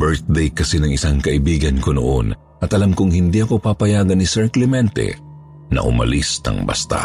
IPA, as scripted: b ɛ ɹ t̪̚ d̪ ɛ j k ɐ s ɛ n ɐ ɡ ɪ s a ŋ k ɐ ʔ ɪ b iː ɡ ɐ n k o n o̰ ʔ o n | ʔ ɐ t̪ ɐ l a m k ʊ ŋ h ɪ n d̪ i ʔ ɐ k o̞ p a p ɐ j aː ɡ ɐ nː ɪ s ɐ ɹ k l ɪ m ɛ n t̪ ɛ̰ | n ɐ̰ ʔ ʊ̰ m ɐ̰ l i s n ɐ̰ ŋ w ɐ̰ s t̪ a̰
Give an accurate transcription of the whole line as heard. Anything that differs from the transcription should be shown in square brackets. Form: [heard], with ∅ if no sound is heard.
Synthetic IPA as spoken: b ɛ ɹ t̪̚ d̪ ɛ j k ɐ s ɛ n ɐ [ŋ] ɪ s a ŋ k ɐ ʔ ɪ b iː ɡ ɐ n k o n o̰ ʔ o n | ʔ ɐ t̪ ɐ l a m k ʊ ŋ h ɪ n d̪ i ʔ ɐ k o̞ p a p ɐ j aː ɡ ɐ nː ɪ s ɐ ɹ k l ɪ m ɛ n t̪ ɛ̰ | n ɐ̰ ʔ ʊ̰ m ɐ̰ l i s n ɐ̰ ŋ [b] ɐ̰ s t̪ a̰